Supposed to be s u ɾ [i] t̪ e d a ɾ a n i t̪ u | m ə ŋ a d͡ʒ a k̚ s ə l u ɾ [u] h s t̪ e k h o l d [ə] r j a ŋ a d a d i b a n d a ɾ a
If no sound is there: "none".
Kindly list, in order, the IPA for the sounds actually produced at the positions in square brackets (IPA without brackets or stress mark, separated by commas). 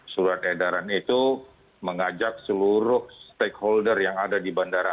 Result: a, ʊ, ə